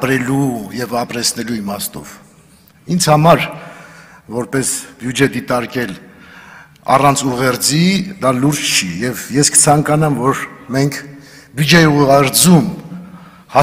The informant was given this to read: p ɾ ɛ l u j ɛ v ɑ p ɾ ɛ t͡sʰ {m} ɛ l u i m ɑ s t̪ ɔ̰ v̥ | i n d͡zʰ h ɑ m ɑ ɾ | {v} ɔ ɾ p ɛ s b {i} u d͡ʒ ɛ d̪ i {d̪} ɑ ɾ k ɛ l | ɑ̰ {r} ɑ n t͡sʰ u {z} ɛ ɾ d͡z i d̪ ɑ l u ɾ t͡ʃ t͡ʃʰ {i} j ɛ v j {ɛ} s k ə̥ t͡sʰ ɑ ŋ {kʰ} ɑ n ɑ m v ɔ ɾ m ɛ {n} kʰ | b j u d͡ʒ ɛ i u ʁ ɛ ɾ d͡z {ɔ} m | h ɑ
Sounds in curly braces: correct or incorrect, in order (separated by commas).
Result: incorrect, correct, incorrect, incorrect, correct, incorrect, correct, correct, incorrect, incorrect, incorrect